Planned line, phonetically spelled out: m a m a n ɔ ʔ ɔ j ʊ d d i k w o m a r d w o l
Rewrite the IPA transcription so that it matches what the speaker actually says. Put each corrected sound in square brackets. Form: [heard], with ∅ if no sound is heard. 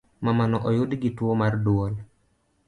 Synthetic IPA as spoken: m a m a n ɔ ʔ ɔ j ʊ d [ɡ] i [t] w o m a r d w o l

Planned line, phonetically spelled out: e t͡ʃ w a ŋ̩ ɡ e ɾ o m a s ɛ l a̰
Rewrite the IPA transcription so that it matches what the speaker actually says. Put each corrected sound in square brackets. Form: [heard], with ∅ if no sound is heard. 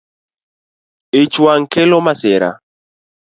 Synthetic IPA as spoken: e t͡ʃ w a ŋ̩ [k] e [l] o m a s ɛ [ɾ] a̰

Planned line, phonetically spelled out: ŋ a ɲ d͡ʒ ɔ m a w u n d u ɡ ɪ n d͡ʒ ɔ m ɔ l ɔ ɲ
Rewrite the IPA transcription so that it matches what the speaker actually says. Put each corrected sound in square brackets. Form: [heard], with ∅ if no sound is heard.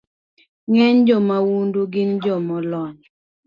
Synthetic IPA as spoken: ŋ [ɛ] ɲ d͡ʒ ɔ m a w u n d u ɡ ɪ n d͡ʒ ɔ m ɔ l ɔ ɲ

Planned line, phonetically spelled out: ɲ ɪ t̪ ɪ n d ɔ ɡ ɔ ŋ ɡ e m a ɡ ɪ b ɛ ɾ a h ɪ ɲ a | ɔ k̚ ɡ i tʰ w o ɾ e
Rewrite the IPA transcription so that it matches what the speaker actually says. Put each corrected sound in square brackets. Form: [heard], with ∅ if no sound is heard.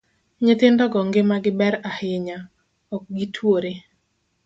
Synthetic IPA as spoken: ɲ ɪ t̪ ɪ n d ɔ ɡ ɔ ŋ ɡ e m a ɡ ɪ b ɛ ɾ a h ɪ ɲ a | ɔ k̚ ɡ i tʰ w o ɾ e

